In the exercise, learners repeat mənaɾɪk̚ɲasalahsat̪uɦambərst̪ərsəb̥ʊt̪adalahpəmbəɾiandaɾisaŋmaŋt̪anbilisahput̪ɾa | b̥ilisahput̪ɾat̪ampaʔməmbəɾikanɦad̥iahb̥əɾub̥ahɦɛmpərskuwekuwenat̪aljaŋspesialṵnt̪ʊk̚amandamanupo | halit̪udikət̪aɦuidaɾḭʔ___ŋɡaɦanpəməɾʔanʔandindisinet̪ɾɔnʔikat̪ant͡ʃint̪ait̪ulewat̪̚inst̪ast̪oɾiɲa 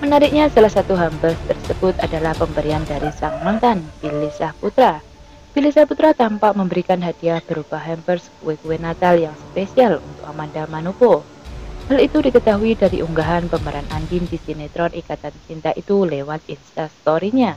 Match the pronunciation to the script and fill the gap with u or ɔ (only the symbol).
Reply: u